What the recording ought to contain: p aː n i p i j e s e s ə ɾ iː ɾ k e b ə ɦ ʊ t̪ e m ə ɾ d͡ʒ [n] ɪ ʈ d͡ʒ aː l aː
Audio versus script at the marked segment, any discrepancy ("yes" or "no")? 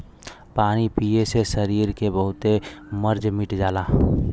yes